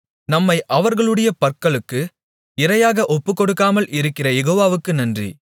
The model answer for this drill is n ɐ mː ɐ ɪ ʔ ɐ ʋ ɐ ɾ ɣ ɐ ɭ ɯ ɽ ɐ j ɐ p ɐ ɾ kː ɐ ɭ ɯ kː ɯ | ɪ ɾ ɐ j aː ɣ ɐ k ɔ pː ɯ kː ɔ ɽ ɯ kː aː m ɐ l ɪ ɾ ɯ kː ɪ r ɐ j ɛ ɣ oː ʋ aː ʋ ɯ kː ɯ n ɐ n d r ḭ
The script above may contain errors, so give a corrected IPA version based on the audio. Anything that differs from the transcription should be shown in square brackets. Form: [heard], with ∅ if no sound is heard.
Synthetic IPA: n ɐ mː ɐ ɪ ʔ ɐ ʋ ɐ ɾ ɣ ɐ ɭ ɯ ɽ ɐ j ɐ p ɐ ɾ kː ɐ ɭ ɯ kː ɯ | ɪ ɾ ɐ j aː ɣ ɐ [ʔ] ɔ pː ɯ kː ɔ ɽ ɯ kː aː m ɐ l ɪ ɾ ɯ kː ɪ r ɐ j ɛ ɣ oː ʋ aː ʋ ɯ kː ɯ n ɐ n d r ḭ